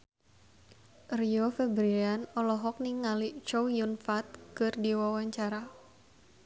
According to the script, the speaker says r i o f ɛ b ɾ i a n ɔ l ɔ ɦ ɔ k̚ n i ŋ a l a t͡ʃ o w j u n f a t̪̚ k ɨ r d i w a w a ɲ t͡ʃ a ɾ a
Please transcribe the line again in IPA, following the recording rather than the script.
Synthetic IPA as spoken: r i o f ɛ b ɾ i a n ɔ l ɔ ɦ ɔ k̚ n i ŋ a l i t͡ʃ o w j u n f a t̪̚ k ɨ r d i w a w a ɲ t͡ʃ a ɾ a